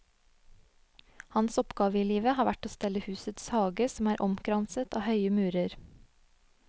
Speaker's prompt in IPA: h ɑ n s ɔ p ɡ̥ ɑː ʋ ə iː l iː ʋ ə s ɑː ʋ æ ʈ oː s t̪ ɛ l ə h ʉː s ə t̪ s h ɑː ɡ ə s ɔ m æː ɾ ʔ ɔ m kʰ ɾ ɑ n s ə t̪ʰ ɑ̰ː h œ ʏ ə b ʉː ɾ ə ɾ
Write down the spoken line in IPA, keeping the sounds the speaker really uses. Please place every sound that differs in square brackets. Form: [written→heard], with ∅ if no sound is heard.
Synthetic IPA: h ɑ n s ɔ p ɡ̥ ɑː ʋ ə iː l iː ʋ ə [s→h] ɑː ʋ æ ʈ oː s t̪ ɛ l ə h ʉː s ə t̪ s h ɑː ɡ ə s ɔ m æː ɾ ʔ ɔ m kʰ ɾ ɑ n s ə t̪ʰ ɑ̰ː h œ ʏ ə [b→m] ʉː ɾ ə ɾ